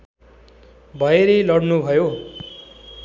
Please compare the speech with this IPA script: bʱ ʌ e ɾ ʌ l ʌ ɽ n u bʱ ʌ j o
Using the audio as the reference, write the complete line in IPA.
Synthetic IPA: bʱ ʌ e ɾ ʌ l ʌ ɽ n u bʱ ʌ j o